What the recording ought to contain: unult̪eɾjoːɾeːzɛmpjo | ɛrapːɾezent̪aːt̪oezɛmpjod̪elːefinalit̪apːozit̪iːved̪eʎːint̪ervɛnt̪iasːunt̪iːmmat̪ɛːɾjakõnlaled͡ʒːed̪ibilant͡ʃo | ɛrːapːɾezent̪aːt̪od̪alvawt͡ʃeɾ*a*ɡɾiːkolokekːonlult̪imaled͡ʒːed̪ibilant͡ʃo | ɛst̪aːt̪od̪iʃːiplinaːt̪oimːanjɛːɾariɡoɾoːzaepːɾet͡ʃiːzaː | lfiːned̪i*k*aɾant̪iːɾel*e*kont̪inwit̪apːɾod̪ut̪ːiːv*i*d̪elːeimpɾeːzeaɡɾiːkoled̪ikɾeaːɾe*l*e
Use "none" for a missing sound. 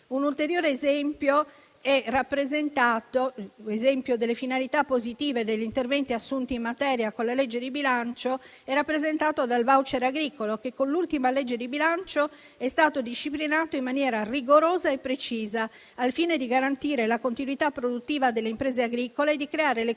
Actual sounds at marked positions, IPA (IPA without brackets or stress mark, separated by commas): a, ɡ, a, a, l